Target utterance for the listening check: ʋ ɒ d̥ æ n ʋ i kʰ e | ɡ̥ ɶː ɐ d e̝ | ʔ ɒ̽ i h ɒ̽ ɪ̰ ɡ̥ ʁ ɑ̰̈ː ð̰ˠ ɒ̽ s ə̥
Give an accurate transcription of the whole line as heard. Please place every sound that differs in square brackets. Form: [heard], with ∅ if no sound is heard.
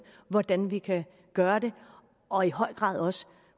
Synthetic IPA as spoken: ʋ ɒ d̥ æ n ʋ i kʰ [æ] | ɡ̥ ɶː ɐ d e̝ | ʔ ɒ̽ i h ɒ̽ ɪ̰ ɡ̥ ʁ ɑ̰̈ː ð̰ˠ ɒ̽ s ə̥